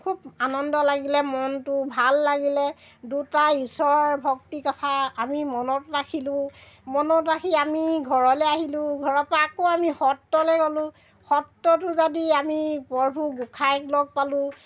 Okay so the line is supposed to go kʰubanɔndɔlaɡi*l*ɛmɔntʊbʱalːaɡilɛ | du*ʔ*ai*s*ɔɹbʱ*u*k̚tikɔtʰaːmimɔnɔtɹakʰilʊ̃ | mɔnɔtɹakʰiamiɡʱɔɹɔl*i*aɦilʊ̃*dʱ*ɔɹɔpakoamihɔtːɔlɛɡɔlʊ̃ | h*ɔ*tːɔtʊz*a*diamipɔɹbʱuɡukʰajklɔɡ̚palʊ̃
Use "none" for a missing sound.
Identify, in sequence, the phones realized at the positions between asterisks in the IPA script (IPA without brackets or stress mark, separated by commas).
l, t, s, ɔ, ɛ, ɡʱ, ɔ, a